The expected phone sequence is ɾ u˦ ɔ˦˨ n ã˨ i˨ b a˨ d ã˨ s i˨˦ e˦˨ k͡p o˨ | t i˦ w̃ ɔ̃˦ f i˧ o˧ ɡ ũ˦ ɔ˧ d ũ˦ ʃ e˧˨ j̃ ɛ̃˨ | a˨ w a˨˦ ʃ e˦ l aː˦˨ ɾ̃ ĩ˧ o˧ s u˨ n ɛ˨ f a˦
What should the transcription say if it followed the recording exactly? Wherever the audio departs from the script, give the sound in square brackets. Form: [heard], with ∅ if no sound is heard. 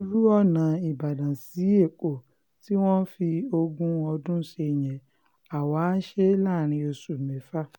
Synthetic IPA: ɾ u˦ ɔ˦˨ n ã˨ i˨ b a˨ d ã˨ s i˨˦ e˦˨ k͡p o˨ | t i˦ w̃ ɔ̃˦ f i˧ o˧ ɡ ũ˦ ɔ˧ d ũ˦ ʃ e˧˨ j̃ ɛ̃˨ | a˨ w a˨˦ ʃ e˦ l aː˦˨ ɾ̃ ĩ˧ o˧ s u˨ [m] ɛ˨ f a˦